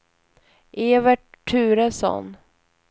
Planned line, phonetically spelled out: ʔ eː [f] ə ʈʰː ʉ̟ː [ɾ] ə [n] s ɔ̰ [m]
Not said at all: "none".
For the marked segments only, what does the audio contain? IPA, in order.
v, ɾ, none, n

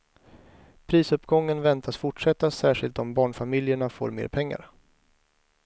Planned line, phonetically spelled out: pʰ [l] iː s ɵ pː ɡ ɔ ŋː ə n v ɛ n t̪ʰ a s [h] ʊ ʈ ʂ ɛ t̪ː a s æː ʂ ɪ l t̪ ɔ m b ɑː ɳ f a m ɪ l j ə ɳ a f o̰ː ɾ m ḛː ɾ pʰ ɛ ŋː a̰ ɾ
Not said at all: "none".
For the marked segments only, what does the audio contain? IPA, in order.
ɾ, f

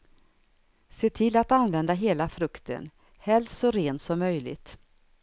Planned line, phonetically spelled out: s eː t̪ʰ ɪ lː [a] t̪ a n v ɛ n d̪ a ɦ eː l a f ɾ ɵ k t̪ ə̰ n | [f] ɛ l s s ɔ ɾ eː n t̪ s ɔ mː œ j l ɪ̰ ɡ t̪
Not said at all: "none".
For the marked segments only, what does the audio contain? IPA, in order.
a, h

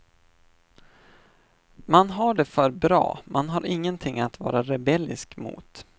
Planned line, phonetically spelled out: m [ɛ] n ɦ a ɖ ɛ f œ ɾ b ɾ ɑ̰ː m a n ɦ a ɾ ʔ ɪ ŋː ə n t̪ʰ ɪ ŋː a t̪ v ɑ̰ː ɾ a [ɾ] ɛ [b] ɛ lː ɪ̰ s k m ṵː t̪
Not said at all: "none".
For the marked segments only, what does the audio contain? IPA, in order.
a, ɾ, b

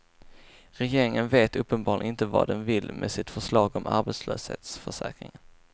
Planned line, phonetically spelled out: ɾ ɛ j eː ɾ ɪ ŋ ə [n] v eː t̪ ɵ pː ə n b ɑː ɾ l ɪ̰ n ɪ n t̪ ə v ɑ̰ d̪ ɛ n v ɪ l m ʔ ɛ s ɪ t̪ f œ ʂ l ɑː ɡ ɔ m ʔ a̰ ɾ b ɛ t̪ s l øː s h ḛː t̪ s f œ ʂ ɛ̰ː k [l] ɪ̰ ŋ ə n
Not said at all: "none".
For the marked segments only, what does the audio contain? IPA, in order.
n, ɾ

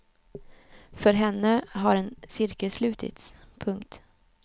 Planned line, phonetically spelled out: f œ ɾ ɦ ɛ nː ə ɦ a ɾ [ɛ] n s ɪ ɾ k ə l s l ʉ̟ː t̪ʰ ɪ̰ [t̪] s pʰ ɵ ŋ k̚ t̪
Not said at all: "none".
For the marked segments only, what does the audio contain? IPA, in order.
ɛ, t̪

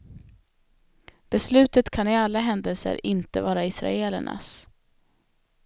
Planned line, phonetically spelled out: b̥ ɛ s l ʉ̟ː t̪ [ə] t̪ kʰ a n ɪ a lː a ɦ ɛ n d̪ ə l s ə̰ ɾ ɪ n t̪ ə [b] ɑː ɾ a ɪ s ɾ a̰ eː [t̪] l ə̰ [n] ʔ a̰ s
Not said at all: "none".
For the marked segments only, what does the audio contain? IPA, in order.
ə, v, none, ɳ

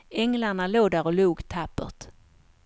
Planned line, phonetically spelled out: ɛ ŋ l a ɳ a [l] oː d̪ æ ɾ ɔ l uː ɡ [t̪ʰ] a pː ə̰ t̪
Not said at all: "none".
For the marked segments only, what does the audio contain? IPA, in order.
l, t̪ʰ

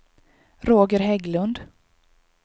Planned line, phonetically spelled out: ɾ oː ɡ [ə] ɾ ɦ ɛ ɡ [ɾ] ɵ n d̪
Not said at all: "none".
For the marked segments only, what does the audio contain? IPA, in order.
ə, l

